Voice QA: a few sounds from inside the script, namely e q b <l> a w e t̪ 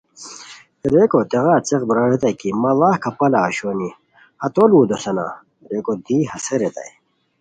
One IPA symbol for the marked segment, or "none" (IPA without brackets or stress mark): ɾ